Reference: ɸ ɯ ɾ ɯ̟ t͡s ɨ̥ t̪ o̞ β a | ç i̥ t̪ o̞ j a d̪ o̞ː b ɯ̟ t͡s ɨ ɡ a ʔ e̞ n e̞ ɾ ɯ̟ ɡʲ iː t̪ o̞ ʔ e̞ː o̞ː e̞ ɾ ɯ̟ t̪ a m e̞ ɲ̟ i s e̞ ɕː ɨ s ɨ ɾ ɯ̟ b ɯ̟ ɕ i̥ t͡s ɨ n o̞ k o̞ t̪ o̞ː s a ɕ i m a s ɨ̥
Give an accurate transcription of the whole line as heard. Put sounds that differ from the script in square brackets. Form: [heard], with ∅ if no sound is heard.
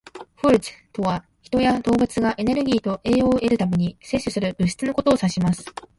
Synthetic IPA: ɸ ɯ ɾ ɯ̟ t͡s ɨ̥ t̪ o̞ β a | ç i̥ t̪ o̞ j a d̪ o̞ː b ɯ̟ t͡s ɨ ɡ a ʔ e̞ n e̞ ɾ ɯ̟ ɡʲ iː t̪ o̞ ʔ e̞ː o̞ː e̞ ɾ ɯ̟ t̪ a m e̞ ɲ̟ i s e̞ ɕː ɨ s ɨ ɾ ɯ̟ b ɯ̟ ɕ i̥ t͡s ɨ n o̞ k o̞ t̪ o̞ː s a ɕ i m a s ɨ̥